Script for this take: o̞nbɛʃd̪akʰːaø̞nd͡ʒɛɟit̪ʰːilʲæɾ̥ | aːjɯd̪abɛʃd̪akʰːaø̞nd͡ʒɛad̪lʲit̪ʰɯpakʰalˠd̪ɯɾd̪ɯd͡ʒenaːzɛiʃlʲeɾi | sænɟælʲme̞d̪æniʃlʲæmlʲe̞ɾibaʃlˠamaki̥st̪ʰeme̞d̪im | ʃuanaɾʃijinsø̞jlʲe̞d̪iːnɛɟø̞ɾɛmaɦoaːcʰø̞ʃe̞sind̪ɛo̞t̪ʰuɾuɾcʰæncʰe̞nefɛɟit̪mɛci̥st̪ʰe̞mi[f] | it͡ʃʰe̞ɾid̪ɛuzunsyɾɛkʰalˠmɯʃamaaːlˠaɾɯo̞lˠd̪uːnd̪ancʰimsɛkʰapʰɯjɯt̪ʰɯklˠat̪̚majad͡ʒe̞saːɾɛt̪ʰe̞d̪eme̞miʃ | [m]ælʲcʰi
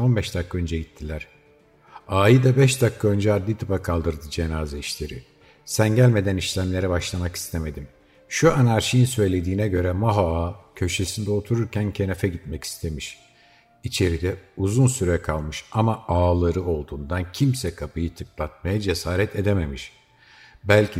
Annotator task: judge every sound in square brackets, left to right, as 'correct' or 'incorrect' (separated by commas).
incorrect, incorrect